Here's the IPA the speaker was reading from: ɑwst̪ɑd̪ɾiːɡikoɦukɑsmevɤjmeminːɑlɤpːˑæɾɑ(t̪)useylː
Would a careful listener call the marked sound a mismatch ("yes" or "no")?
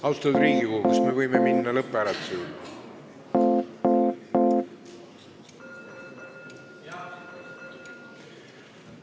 no